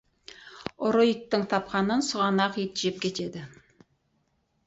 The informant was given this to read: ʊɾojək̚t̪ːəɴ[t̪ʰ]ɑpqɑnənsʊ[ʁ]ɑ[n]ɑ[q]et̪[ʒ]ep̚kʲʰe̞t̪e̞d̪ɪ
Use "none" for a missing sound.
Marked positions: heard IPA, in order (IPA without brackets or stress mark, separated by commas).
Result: t̪ʰ, ʁ, n, q, ʒ